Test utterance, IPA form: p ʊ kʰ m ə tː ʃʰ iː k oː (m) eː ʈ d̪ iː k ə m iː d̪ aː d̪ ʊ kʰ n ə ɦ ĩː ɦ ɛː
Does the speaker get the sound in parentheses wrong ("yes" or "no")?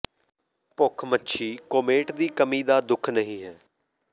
no